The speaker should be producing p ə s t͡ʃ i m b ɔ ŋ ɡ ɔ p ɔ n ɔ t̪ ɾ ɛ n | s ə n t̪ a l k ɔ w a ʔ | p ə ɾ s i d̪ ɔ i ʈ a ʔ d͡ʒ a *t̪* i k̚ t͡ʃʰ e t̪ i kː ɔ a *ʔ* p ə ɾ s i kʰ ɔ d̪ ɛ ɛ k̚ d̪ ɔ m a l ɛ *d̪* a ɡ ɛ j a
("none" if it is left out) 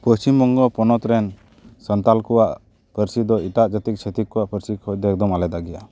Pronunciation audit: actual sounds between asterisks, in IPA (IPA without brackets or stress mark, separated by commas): t̪, ʔ, d̪